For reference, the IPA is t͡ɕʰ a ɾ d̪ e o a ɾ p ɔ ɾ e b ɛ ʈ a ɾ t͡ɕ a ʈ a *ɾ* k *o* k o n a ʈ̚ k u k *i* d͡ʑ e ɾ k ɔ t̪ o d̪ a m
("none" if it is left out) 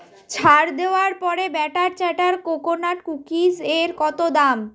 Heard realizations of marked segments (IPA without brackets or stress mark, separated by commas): ɾ, o, i